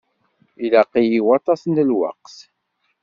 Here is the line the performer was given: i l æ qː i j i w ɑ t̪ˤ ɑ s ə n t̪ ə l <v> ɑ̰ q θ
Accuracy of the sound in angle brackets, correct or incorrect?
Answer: incorrect